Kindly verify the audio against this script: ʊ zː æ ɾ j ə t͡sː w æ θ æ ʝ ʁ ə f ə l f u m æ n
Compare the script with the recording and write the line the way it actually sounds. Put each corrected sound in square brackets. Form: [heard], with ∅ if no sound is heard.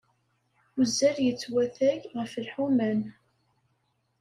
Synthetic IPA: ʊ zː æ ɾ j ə t͡sː w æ θ æ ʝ ʁ ə f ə l [ħ] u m æ n